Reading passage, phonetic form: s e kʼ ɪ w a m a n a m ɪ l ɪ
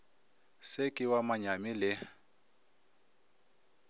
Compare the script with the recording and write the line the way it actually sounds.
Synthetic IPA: s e kʼ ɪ w a m a ɲ a m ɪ l ɪ